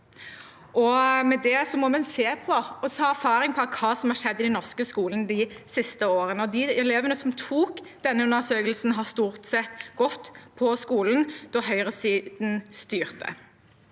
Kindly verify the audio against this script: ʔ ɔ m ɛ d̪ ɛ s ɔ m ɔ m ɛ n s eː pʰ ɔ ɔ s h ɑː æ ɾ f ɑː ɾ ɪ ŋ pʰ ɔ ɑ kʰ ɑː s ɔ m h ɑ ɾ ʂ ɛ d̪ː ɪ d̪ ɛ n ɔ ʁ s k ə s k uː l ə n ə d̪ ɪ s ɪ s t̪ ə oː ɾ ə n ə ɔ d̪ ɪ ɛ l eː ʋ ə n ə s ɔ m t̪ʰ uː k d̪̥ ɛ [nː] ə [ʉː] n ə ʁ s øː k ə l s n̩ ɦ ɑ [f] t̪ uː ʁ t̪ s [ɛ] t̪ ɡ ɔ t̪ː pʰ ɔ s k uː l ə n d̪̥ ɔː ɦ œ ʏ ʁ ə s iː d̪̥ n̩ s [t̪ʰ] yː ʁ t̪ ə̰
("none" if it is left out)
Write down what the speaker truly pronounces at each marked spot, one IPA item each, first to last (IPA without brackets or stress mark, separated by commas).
nː, ʉ, s, ɛ, t̪